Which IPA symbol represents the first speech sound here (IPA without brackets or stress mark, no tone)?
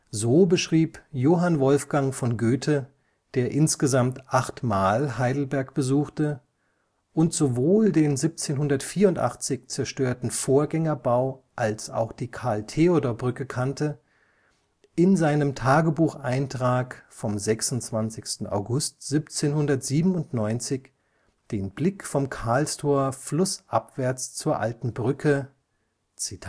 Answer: z